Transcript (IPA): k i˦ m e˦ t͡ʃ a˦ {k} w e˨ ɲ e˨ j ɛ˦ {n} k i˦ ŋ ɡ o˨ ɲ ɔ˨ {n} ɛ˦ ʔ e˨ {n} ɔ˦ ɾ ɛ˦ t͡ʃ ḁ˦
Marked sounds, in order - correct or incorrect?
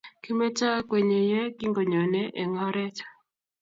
correct, incorrect: none, correct, incorrect: ŋ

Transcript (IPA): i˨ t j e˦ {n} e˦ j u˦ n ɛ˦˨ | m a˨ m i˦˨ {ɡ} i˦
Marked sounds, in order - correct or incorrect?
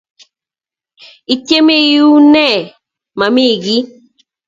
incorrect: m, correct

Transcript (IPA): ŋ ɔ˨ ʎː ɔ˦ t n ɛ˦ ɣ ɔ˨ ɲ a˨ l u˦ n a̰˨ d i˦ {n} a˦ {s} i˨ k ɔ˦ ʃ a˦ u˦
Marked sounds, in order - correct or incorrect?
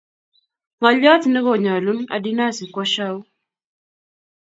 correct, correct

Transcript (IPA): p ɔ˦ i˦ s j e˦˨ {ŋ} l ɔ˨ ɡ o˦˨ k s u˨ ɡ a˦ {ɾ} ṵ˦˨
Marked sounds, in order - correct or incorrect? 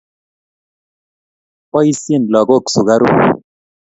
incorrect: n, correct

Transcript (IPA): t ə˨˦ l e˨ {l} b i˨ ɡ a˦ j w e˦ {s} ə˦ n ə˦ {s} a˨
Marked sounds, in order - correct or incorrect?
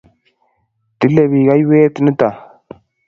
incorrect: none, incorrect: t, incorrect: t

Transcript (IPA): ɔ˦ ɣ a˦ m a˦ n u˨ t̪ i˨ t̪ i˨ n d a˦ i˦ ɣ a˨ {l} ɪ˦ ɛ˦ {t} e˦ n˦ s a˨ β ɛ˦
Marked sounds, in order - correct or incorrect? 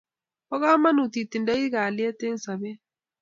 correct, correct

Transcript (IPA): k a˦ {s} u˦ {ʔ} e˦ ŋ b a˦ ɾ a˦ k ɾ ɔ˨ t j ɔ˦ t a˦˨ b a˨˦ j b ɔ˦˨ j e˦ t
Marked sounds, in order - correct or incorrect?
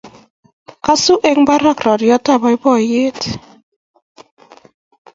correct, correct

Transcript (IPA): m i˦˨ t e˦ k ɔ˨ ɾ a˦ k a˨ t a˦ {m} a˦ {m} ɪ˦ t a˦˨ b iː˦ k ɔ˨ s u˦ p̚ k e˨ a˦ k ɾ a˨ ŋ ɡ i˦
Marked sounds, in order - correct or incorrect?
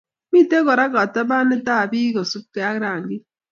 incorrect: b, incorrect: n

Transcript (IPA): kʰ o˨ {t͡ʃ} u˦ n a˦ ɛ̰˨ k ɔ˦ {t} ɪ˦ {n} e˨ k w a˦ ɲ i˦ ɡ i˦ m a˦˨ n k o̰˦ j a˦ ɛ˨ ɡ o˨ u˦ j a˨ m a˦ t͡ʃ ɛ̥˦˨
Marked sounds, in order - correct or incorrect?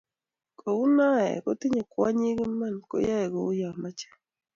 incorrect: none, correct, incorrect: ɲ

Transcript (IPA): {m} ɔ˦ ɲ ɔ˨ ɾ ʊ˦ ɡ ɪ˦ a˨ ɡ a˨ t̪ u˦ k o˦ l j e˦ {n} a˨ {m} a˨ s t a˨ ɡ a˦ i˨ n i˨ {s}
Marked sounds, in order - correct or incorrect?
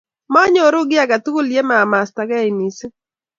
correct, incorrect: m, correct, correct

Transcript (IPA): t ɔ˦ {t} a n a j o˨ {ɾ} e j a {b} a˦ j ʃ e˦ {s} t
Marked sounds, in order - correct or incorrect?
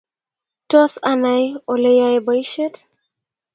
incorrect: s, incorrect: l, correct, incorrect: none

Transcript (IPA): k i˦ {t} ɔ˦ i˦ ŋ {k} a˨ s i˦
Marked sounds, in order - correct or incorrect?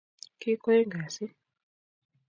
incorrect: k, incorrect: ɡ

